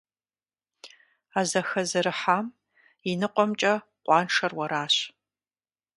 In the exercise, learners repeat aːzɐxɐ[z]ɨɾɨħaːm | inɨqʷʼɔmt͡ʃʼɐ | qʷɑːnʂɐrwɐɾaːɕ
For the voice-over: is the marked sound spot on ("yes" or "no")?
yes